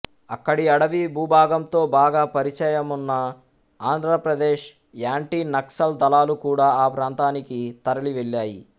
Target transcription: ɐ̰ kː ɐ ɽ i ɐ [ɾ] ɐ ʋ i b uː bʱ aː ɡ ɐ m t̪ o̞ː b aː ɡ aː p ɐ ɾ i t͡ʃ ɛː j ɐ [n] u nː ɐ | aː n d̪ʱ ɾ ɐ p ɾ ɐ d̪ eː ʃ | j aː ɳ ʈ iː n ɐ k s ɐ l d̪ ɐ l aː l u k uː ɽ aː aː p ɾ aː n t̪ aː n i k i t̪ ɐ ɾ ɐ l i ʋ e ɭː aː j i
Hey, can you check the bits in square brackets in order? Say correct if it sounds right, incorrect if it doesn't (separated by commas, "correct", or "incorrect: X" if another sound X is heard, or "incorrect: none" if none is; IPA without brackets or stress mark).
incorrect: ɽ, incorrect: m